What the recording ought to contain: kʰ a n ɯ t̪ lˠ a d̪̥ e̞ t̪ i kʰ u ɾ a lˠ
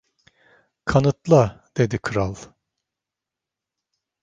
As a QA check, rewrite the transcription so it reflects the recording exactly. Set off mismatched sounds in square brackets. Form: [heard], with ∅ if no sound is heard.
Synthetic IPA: kʰ a n ɯ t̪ lˠ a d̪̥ e̞ [d̪] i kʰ [ɯ] ɾ a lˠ